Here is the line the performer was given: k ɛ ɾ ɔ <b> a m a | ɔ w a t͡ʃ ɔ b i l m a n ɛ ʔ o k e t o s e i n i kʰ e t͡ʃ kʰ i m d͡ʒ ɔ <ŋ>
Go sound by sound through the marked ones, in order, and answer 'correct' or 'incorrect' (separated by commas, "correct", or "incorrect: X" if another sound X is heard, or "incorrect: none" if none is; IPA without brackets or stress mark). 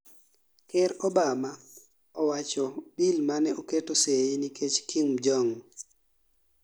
correct, correct